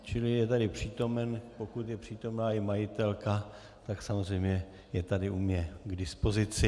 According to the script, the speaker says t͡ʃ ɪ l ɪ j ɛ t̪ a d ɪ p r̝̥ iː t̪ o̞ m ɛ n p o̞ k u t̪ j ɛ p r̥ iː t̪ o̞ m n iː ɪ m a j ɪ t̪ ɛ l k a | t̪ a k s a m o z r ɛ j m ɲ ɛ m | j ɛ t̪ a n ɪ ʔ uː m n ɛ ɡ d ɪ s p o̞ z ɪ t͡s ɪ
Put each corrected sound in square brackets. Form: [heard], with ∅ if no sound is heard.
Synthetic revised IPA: t͡ʃ ɪ l ɪ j ɛ t̪ a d ɪ p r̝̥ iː t̪ o̞ m ɛ n p o̞ k u t̪ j ɛ p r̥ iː t̪ o̞ m n [aː] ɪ m a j ɪ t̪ ɛ l k a | t̪ a k s a m o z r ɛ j m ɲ ɛ [∅] | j ɛ t̪ a [d] ɪ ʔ [u] m [ɲ] ɛ ɡ d ɪ s p o̞ z ɪ t͡s ɪ

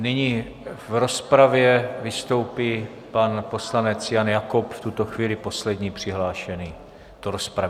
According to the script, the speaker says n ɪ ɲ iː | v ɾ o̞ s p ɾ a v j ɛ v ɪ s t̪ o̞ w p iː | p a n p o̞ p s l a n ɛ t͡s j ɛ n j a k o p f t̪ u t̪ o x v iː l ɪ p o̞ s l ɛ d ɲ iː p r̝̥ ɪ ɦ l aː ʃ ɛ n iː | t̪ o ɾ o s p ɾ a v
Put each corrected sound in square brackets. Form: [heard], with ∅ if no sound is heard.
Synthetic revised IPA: n ɪ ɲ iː | v ɾ o̞ s p ɾ a v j ɛ v ɪ s t̪ o̞ w p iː | p a n p o̞ [∅] s l a n ɛ t͡s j [a] n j a k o p f t̪ u t̪ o x v iː l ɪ p o̞ s l ɛ d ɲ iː p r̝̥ ɪ ɦ l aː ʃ ɛ n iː | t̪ o ɾ o s p ɾ a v

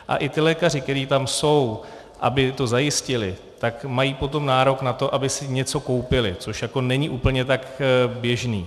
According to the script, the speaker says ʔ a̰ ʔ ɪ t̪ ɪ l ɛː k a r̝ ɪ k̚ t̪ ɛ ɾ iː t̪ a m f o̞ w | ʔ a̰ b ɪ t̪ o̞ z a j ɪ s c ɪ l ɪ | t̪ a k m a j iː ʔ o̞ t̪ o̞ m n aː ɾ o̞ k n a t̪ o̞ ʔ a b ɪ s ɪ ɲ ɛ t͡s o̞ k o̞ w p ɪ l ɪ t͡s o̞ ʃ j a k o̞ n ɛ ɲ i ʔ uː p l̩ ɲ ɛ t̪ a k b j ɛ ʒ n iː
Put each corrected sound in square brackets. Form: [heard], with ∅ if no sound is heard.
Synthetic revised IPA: ʔ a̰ ʔ ɪ t̪ ɪ l ɛː k a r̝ ɪ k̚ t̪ ɛ ɾ iː t̪ a m [s] o̞ w | ʔ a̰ b ɪ t̪ o̞ z a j ɪ s c ɪ l ɪ | t̪ a k m a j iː [p] o̞ t̪ o̞ m n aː ɾ o̞ k n a t̪ o̞ ʔ a b ɪ s ɪ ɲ ɛ t͡s o̞ k o̞ w p ɪ l ɪ t͡s o̞ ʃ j a k o̞ n ɛ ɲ i ʔ uː p l̩ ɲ ɛ t̪ a k b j ɛ ʒ n iː

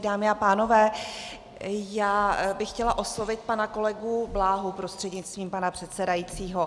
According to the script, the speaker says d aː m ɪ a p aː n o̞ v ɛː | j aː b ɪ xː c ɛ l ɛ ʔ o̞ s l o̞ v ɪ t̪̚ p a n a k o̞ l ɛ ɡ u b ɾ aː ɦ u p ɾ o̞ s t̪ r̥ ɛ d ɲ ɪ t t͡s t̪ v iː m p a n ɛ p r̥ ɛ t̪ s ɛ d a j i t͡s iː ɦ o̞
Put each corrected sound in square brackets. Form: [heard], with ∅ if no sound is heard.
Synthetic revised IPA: d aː m ɪ a p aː n o̞ v ɛː | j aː b ɪ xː c ɛ l [a] ʔ o̞ s l o̞ v ɪ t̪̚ p a n a k o̞ l ɛ ɡ u b [l] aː ɦ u p ɾ o̞ s t̪ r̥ ɛ d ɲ ɪ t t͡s t̪ v iː m p a n [a] p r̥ ɛ t̪ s ɛ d a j i t͡s iː ɦ o̞

